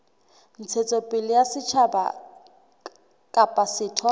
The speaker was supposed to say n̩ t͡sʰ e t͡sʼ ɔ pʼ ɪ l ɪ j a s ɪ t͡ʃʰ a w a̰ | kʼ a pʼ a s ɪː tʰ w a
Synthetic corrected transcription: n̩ t͡sʰ e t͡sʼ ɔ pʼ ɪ l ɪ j a s ɪ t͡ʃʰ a b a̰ | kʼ a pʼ a s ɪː tʰ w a